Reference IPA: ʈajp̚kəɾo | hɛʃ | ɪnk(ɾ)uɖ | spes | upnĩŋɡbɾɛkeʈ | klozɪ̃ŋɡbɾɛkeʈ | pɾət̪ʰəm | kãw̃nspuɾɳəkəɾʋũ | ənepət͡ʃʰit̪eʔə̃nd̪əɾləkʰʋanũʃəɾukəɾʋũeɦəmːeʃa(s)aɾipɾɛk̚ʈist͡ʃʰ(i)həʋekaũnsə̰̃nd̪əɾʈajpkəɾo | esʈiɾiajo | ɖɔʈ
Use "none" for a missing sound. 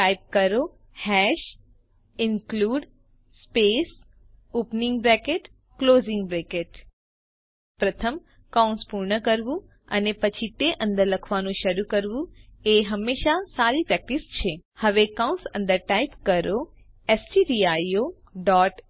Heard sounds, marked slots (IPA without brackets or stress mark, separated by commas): l, s, e